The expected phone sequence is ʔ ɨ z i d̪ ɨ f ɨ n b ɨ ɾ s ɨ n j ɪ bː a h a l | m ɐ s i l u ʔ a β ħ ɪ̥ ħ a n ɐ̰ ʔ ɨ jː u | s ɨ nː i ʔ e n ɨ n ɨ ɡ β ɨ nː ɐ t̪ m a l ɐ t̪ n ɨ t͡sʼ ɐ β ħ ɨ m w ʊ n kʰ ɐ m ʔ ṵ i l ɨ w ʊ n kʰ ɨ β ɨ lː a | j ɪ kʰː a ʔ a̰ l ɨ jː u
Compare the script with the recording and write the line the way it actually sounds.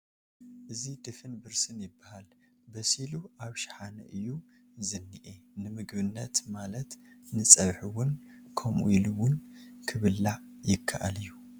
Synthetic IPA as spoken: ʔ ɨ z i d̪ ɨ f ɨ n b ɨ ɾ s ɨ n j ɪ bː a h a l | b ɐ s i l u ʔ a β ʃ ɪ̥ ħ a n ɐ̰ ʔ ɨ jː u | z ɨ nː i ʔ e n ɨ m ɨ ɡ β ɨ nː ɐ t̪ m a l ɐ t̪ n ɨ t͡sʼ ɐ β ħ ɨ w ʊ n kʰ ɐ m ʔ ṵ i l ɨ w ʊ n kʰ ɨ β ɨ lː a | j ɪ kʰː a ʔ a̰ l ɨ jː u